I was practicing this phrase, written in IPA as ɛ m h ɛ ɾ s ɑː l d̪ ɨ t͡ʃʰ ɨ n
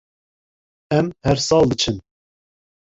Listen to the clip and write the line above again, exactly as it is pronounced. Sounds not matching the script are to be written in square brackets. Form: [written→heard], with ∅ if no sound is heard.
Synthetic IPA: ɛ m h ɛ ɾ s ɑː l d̪ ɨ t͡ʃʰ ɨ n